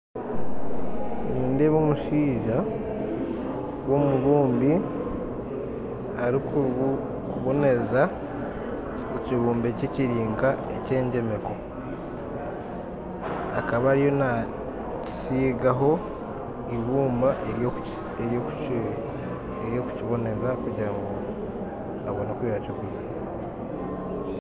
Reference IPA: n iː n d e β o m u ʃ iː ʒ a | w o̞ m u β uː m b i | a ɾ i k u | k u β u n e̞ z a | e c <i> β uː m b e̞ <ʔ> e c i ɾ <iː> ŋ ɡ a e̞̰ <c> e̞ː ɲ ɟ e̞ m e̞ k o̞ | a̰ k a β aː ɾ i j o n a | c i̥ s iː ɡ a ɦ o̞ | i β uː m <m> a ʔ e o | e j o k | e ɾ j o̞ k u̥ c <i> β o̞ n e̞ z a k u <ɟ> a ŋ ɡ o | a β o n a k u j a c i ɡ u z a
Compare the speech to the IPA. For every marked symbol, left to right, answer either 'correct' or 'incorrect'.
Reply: correct, incorrect, correct, correct, incorrect, correct, correct

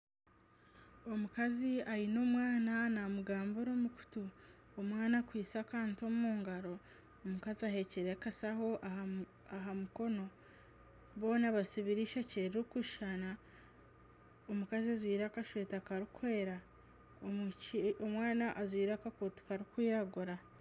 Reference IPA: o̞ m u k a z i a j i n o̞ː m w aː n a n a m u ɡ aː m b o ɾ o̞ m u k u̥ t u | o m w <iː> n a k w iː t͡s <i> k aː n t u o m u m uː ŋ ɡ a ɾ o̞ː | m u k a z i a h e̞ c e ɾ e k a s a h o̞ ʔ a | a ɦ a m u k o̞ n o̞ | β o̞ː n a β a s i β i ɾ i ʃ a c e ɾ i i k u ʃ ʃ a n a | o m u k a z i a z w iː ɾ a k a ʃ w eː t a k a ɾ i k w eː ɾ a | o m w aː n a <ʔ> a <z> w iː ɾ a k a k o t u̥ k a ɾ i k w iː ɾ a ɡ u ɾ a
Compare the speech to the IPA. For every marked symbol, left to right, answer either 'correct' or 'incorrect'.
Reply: incorrect, incorrect, correct, correct

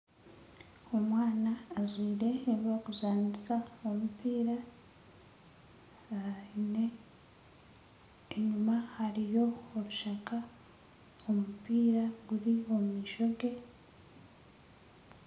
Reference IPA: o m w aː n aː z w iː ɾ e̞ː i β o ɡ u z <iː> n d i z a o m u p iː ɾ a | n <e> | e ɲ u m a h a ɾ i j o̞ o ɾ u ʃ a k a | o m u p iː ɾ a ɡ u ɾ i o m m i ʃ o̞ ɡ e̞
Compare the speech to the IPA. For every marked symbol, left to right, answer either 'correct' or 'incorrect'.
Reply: incorrect, correct

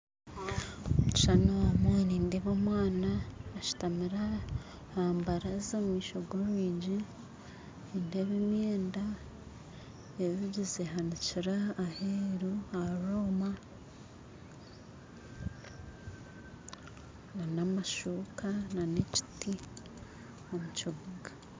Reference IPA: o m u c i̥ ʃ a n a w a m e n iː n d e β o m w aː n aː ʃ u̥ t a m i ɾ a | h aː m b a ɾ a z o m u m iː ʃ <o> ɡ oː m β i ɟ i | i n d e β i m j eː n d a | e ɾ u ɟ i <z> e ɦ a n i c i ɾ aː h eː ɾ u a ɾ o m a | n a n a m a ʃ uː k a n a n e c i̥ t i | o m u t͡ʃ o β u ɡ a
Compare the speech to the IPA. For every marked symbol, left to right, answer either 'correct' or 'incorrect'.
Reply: correct, correct

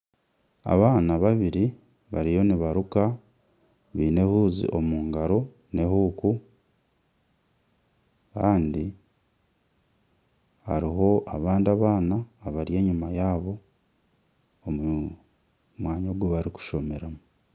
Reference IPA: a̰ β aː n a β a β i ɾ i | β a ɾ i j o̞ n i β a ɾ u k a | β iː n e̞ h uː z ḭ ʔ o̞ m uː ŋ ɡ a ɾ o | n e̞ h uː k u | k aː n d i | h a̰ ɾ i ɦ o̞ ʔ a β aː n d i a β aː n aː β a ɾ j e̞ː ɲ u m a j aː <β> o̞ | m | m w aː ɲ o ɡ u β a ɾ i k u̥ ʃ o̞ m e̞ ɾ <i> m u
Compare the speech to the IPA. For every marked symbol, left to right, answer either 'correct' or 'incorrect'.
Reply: correct, incorrect

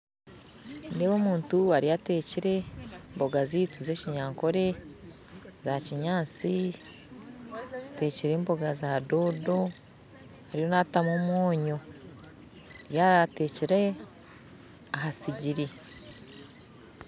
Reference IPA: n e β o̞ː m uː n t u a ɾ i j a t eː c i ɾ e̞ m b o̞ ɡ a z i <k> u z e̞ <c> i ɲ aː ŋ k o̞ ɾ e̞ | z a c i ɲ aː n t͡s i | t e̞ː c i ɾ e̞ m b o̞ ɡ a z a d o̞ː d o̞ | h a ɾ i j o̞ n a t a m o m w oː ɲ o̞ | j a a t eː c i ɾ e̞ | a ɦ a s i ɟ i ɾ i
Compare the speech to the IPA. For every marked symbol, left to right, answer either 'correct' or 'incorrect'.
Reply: incorrect, correct

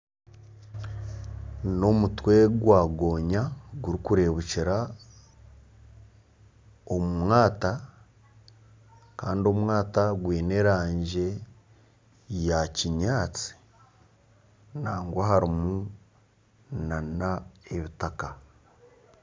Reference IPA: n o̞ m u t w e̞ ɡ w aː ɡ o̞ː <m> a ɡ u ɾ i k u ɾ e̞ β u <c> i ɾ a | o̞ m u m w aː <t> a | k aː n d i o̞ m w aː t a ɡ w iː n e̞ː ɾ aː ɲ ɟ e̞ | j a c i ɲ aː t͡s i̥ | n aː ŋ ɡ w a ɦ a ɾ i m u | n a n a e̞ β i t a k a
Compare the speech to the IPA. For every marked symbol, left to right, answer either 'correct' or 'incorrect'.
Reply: incorrect, correct, correct

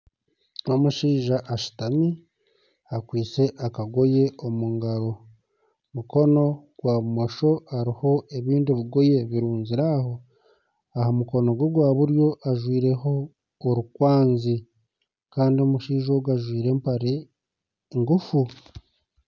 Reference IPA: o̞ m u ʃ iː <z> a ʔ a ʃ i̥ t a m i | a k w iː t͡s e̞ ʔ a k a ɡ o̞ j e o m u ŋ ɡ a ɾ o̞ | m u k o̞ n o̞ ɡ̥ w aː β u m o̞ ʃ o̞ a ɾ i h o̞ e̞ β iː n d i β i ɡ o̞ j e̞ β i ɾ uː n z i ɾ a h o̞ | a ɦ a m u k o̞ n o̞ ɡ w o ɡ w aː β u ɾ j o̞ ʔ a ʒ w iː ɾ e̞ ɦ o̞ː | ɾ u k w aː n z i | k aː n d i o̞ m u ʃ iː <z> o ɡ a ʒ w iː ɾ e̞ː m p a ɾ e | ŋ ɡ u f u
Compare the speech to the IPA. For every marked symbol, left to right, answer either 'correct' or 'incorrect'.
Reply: incorrect, incorrect

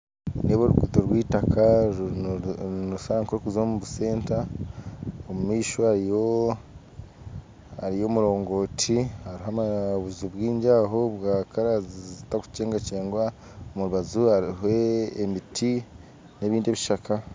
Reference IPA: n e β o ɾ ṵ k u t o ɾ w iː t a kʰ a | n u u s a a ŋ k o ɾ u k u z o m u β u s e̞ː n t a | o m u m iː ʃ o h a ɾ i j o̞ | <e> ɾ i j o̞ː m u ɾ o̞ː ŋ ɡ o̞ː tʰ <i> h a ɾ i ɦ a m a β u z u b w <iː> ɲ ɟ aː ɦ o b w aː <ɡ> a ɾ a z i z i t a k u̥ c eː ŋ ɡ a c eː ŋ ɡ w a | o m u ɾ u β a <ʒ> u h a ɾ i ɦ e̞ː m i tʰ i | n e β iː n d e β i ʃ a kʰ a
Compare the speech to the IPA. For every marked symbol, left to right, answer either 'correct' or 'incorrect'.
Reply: incorrect, correct, correct, incorrect, incorrect

